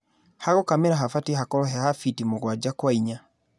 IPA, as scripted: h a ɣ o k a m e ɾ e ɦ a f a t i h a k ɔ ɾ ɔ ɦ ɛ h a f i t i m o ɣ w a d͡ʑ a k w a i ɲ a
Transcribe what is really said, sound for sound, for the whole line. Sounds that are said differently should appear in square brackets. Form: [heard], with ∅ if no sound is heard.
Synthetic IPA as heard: h a ɣ o k a m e ɾ [a] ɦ a f a t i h a k ɔ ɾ ɔ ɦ ɛ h a f i t i m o ɣ w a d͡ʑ a k w a i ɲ a